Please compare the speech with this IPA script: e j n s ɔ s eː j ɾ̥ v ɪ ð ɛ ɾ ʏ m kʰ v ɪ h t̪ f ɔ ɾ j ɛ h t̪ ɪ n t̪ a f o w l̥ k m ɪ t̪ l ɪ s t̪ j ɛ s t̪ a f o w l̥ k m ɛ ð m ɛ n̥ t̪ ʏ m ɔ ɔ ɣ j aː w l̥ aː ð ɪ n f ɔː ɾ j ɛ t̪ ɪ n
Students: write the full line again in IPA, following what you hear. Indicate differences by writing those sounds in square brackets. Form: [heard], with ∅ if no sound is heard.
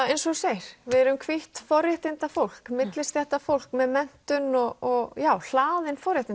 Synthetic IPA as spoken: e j n s ɔ s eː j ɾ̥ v ɪ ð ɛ ɾ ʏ m kʰ v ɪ h t̪ f ɔ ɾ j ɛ h t̪ ɪ n t̪ a f o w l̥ k m ɪ t̪ l ɪ s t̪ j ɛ [h] t̪ a f o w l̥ k m ɛ ð m ɛ n̥ t̪ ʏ [n] ɔ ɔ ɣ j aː w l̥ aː ð ɪ n f [ɔ] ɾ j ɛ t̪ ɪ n